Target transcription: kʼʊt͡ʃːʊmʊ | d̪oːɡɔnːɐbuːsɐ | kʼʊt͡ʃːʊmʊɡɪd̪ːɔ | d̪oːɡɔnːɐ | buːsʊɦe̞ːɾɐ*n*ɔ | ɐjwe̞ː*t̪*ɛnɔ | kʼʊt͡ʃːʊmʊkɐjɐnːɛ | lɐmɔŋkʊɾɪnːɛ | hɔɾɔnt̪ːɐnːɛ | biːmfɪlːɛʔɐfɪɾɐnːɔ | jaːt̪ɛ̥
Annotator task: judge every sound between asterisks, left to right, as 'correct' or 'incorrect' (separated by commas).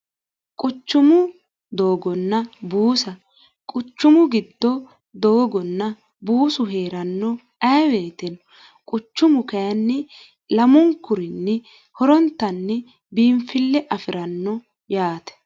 incorrect, correct